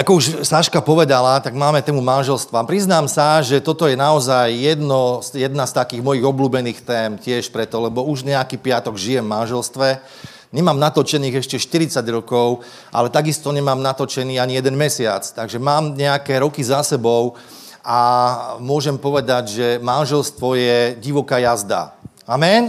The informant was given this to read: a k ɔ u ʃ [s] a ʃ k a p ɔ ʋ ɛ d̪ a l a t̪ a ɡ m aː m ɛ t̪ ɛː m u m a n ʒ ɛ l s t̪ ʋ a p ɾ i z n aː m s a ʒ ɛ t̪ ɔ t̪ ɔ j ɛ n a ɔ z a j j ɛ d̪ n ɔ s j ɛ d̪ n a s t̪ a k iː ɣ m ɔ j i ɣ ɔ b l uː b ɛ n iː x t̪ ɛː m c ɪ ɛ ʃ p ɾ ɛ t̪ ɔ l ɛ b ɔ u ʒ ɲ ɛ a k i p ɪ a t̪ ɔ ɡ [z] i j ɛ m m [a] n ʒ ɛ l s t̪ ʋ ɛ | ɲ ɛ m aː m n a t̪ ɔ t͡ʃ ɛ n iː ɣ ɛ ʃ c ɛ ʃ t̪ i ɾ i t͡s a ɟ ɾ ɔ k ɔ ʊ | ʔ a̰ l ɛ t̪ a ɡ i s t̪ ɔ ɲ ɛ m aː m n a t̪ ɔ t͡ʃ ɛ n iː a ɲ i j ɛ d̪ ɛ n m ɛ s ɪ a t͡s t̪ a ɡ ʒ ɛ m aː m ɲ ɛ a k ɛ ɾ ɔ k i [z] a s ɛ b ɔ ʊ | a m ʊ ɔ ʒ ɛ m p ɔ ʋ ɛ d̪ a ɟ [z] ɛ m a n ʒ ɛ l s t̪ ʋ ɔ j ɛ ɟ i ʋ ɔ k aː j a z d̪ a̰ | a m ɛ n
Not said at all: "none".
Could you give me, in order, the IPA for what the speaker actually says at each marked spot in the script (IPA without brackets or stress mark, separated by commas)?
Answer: s, ʒ, a, z, ʒ